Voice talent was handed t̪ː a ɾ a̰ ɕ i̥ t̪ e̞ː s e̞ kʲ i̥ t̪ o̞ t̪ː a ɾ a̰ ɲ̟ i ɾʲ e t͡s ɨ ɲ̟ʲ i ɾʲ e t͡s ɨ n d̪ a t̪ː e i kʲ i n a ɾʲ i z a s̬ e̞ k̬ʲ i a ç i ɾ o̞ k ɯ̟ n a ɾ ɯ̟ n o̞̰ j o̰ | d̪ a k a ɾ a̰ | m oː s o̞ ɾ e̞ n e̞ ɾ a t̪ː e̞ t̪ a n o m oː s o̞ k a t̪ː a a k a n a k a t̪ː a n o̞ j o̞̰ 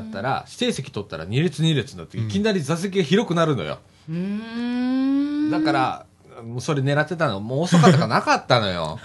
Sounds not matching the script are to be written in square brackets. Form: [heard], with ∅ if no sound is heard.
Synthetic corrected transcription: t̪ː a ɾ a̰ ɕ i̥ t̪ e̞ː s e̞ kʲ i̥ t̪ o̞ t̪ː a ɾ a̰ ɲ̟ i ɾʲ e t͡s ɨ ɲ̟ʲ i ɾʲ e t͡s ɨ n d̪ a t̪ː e i kʲ i n a ɾʲ i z a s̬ e̞ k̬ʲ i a ç i ɾ o̞ k ɯ̟ n a ɾ ɯ̟ n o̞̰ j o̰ | d̪ a k a ɾ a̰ | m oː s o̞ ɾ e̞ n e̞ ɾ a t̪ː e̞ t̪ a n o m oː s o̞ k a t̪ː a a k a n a k a t̪ː a n o̞ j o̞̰